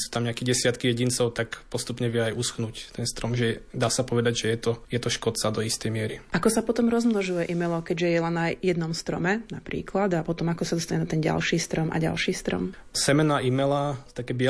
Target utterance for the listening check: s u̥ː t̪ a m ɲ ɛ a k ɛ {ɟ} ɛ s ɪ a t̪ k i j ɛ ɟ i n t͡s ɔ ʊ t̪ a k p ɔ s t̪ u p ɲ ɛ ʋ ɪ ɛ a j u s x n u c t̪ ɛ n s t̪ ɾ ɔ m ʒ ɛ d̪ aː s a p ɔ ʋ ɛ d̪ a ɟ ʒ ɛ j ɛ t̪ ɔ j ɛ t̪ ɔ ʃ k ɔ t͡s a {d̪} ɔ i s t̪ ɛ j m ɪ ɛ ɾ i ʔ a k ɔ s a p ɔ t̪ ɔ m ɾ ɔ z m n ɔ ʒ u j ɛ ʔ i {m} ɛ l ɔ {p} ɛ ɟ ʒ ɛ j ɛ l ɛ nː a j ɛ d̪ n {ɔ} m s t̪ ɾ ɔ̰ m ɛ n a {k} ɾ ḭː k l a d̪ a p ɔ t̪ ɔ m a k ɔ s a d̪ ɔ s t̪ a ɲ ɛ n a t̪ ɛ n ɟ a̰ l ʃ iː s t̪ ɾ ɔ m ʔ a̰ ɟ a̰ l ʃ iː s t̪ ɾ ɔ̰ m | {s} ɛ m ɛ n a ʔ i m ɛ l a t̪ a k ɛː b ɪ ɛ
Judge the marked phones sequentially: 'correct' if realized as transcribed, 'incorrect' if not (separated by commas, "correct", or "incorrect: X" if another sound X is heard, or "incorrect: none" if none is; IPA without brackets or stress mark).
correct, correct, correct, incorrect: k, correct, incorrect: p, correct